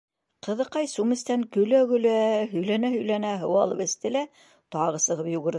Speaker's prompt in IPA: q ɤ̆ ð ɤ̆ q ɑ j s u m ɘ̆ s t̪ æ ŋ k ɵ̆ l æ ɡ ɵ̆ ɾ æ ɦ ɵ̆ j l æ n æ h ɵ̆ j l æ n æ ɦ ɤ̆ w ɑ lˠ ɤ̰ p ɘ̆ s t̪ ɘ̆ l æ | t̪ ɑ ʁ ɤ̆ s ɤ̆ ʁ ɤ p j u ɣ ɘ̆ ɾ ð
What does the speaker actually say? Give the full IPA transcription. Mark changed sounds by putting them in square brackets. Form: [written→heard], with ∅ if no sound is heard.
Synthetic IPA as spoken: q ɤ̆ ð ɤ̆ q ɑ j s u m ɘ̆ s t̪ æ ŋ k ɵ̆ l æ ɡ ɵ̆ [ɾ→l] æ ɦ ɵ̆ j l æ n æ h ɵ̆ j l æ n æ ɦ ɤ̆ w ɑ lˠ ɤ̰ p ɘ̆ s t̪ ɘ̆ l æ | t̪ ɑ ʁ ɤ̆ s ɤ̆ ʁ ɤ p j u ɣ ɘ̆ ɾ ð